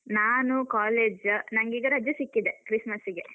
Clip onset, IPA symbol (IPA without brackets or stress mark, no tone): n